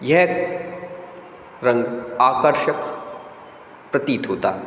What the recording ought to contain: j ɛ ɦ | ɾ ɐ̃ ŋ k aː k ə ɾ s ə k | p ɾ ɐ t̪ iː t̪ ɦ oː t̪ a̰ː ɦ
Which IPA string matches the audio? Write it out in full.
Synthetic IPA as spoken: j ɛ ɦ | ɾ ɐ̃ ŋ ɡ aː k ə ɾ ʃ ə k | p ɾ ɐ t̪ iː t̪ ɦ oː t̪ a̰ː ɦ